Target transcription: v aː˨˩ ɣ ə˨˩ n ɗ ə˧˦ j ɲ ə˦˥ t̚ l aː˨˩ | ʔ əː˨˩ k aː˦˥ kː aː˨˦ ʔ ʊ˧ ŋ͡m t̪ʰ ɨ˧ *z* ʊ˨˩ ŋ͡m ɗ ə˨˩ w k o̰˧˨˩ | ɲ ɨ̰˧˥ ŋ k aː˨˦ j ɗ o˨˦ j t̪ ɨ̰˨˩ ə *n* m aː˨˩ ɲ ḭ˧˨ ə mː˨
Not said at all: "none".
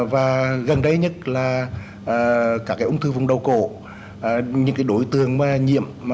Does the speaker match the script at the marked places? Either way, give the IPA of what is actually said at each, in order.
v, ŋ

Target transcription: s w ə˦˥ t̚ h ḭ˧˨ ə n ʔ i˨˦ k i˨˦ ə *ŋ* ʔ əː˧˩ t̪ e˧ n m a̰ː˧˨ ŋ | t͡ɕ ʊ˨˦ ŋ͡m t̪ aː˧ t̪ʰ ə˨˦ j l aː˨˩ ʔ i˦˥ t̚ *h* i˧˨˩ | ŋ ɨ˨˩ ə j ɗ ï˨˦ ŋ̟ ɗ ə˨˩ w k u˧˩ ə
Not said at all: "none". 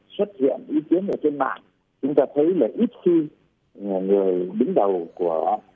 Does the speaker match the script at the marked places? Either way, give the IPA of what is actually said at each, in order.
n, x

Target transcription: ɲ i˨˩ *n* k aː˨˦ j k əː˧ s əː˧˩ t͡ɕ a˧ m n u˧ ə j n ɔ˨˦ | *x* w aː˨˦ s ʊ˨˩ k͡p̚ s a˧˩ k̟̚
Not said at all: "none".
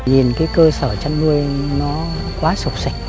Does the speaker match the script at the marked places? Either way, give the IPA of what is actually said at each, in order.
n, k

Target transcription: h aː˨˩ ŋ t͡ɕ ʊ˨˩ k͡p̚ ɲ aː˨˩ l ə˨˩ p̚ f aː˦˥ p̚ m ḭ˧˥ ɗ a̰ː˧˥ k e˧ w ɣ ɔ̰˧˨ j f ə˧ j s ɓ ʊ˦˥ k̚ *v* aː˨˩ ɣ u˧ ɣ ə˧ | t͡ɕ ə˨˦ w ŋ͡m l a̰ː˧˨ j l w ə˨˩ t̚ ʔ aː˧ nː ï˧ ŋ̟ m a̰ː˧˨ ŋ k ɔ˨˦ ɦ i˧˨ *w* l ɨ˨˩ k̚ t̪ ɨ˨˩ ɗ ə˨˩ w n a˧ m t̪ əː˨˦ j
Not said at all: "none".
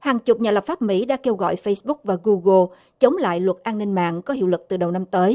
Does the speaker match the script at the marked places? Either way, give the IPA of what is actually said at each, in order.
v, w

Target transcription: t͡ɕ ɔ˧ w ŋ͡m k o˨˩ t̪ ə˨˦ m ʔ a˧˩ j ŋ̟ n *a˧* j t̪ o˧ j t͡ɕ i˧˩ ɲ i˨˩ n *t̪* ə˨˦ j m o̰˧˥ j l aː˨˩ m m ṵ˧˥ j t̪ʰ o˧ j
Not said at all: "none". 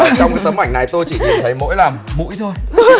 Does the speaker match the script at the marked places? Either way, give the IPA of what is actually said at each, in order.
a˨˩, t̪ʰ

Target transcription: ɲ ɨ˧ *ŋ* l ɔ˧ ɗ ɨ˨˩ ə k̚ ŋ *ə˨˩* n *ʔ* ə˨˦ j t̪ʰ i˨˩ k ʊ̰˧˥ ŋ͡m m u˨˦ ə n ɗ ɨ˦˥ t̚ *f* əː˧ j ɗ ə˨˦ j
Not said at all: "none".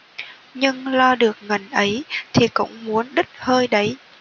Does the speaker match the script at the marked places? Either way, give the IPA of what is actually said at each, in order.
ŋ, ə˨˩, ʔ, h

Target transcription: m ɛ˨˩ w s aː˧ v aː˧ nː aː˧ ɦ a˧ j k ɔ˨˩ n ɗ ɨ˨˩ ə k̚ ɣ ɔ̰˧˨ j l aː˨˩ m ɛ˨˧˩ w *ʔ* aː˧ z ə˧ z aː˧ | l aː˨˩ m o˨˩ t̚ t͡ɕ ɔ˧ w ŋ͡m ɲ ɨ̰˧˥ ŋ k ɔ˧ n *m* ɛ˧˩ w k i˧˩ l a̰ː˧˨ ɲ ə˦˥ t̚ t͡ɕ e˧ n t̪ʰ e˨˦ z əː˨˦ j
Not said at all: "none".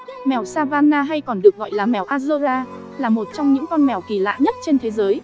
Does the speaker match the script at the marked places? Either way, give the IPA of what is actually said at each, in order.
ʔ, m

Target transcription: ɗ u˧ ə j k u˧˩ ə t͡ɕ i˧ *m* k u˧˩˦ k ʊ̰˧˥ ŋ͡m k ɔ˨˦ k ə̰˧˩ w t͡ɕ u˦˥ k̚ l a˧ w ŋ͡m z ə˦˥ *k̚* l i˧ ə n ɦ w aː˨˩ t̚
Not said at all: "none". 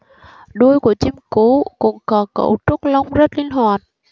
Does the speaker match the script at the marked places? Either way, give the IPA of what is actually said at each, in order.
m, t̚

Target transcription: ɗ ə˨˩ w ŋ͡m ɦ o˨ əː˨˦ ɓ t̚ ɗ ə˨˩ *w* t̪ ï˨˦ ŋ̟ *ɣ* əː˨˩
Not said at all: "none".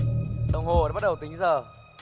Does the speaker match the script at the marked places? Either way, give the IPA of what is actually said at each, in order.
w, z

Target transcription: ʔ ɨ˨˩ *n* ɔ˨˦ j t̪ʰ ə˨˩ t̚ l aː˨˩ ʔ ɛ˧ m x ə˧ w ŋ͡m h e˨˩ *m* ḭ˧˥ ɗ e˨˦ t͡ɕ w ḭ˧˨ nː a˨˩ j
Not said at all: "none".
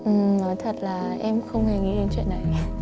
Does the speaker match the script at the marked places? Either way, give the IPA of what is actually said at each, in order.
n, ŋ

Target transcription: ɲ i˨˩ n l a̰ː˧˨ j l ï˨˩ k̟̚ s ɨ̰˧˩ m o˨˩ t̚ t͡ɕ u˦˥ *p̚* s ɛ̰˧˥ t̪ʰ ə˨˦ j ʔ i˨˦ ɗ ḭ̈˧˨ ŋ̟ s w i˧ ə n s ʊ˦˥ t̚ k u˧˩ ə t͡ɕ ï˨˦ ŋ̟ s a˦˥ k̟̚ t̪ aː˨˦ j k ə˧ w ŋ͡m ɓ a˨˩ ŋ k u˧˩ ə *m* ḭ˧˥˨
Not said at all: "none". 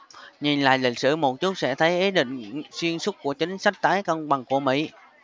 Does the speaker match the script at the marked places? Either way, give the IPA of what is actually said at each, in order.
t̚, m

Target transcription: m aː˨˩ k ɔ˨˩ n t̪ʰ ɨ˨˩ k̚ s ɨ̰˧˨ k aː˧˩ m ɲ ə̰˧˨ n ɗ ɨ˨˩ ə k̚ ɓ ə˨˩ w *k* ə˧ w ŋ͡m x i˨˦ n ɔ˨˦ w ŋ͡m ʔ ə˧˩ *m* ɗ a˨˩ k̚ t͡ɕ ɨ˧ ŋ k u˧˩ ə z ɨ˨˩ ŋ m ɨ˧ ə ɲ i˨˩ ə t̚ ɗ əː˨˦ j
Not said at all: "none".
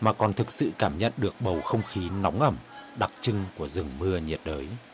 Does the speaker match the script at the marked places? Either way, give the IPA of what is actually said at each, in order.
x, m

